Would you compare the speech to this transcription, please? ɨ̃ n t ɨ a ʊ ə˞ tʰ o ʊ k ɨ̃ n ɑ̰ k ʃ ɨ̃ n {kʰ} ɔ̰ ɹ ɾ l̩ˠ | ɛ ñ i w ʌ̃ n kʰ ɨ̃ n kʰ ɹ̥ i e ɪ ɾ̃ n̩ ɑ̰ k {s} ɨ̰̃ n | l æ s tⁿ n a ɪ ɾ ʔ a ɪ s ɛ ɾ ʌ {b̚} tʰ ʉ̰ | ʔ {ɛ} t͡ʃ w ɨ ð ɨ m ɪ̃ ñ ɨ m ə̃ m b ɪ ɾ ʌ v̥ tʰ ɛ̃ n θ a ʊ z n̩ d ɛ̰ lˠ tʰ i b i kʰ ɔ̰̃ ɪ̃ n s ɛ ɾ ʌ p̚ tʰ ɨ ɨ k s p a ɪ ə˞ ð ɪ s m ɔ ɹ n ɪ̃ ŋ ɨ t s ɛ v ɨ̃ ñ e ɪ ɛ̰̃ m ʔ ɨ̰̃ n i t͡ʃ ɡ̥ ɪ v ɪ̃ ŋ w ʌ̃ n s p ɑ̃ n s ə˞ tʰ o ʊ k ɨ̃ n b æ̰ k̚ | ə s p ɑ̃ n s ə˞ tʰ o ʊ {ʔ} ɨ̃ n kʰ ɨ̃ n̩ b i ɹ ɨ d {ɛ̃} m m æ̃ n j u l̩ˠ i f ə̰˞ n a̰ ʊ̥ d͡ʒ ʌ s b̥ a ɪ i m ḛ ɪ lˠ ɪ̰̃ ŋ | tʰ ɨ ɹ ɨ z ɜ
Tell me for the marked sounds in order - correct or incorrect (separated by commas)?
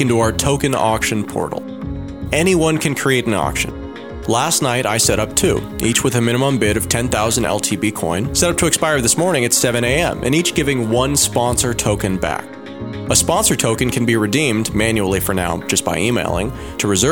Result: incorrect, incorrect, incorrect, incorrect, incorrect, incorrect